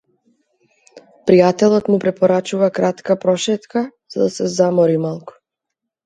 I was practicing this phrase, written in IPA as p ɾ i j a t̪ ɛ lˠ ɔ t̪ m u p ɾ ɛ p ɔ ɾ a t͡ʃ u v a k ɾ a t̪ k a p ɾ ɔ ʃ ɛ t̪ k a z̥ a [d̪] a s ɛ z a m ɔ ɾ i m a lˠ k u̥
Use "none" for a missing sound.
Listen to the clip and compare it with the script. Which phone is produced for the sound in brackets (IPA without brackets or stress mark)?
d̪